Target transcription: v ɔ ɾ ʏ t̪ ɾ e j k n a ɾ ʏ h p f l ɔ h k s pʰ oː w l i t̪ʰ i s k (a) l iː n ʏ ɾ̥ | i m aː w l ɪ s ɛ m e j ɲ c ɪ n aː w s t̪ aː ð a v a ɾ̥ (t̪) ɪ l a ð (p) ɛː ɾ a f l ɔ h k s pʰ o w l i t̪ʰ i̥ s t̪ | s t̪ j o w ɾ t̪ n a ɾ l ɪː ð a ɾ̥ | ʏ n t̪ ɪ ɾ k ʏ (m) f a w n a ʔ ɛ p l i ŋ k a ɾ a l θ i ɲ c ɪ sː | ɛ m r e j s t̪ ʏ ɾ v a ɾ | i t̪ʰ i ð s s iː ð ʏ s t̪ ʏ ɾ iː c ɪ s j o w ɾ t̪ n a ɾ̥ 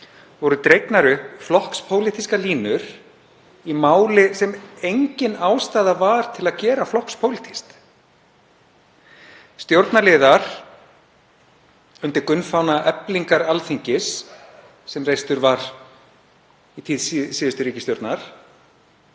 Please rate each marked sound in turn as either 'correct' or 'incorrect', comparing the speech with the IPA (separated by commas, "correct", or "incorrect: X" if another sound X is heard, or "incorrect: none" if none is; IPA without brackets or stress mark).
correct, incorrect: t̪ʰ, incorrect: c, incorrect: n